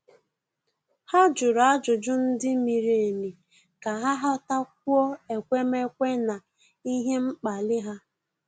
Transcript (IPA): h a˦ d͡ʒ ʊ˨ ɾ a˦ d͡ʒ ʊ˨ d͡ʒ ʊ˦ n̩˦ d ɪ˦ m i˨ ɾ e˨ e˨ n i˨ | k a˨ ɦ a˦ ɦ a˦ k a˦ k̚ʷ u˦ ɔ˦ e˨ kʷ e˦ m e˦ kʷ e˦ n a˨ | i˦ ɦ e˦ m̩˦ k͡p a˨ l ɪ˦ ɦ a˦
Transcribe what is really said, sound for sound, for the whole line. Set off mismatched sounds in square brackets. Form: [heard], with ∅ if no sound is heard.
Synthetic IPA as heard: h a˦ d͡ʒ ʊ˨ ɾ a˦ d͡ʒ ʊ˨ d͡ʒ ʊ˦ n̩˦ d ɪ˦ m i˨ ɾ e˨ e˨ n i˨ | k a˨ ɦ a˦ ɦ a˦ [t] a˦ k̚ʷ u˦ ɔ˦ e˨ kʷ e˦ m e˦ kʷ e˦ n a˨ | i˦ ɦ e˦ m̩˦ k͡p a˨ l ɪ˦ ɦ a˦